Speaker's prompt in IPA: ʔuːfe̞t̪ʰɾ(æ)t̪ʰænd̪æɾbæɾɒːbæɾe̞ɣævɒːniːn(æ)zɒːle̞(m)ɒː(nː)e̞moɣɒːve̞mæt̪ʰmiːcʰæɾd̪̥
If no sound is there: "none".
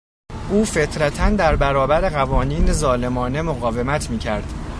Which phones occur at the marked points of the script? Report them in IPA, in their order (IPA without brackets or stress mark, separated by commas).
æ, e, m, n